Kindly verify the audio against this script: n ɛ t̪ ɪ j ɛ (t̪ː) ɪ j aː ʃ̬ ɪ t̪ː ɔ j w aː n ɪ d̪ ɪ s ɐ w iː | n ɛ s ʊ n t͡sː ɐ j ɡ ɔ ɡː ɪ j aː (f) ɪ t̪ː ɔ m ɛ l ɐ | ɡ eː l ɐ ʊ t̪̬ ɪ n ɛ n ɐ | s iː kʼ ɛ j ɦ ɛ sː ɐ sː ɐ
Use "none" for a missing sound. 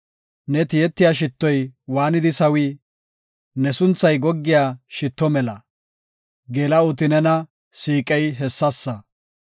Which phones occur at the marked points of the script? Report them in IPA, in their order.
t̪ː, ʃ

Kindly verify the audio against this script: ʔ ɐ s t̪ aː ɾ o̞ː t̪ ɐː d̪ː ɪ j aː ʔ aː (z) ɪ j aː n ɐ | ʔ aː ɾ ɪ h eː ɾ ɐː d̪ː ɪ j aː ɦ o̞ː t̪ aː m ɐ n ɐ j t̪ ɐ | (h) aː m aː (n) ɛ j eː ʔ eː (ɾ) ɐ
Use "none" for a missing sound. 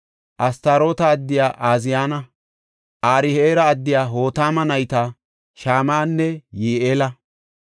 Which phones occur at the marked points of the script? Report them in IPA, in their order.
z, ʃ, nː, l

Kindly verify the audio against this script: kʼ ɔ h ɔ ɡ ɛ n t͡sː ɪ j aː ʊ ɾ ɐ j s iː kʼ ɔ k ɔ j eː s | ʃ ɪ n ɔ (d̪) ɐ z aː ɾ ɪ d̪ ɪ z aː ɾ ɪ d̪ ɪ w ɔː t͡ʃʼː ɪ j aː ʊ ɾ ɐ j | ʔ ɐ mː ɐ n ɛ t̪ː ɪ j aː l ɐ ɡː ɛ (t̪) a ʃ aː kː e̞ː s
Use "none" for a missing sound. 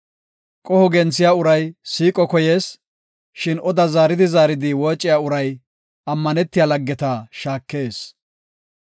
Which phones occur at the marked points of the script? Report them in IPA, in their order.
d̪, t̪

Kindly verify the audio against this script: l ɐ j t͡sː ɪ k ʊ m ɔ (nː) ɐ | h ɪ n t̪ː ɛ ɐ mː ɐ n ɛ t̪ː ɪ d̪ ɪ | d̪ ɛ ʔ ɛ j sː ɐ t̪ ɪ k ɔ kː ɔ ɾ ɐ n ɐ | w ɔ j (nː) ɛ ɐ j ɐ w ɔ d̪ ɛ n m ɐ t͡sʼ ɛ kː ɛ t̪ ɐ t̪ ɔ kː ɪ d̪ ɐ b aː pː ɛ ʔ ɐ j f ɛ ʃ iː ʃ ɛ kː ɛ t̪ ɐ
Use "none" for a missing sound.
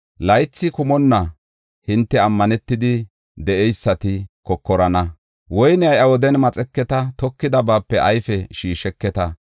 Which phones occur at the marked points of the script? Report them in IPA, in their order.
nː, n

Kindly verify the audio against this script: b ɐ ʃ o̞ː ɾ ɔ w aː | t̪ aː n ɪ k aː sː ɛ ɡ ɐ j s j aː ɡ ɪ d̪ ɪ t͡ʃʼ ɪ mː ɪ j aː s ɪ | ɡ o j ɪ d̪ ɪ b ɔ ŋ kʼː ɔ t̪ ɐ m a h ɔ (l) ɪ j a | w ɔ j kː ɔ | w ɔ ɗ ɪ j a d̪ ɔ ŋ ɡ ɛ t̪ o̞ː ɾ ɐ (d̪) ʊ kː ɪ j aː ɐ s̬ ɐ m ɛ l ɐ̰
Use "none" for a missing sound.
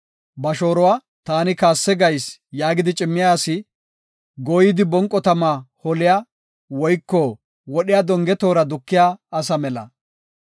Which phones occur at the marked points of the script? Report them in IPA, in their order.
l, d̪

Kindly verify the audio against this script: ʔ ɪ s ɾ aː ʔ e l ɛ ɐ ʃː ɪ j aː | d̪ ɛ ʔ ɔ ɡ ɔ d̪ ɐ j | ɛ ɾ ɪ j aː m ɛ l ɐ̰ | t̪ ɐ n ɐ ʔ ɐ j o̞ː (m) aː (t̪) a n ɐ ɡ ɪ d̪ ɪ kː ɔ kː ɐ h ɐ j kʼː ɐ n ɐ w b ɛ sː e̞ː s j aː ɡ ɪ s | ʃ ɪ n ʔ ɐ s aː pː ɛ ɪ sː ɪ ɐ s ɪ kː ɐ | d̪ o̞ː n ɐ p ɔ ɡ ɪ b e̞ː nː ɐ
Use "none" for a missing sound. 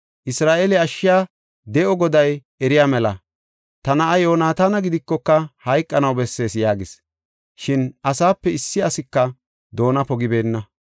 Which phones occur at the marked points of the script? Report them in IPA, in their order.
n, t̪

